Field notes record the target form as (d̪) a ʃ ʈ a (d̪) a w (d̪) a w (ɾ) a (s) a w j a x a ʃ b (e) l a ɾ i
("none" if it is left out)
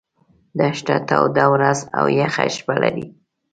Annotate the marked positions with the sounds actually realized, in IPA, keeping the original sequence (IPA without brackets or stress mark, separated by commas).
d̪, t̪, d̪, ɾ, z, a